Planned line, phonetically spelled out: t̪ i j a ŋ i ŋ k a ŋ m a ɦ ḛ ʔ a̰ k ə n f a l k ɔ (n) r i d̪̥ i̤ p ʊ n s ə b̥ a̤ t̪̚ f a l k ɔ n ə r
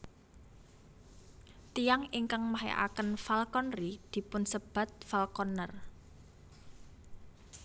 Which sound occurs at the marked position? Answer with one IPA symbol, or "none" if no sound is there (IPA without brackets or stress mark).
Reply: n